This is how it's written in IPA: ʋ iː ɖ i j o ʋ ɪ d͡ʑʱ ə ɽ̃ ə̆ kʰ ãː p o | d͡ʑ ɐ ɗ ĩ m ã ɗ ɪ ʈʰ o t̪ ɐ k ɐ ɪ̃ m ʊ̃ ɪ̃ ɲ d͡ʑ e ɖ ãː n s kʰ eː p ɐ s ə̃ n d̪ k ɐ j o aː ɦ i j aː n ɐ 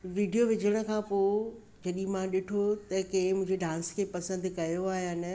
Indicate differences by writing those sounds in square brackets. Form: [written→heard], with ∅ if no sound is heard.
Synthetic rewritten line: ʋ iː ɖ i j o ʋ ɪ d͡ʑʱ ə ɽ̃ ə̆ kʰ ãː p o | d͡ʑ ɐ ɗ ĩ m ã ɗ ɪ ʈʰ o t̪ ɐ k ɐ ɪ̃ m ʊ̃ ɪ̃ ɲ d͡ʑ e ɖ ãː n s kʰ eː p ɐ s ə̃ n d̪ k ɐ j o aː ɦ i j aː n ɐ